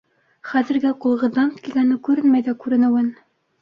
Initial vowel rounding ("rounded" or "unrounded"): unrounded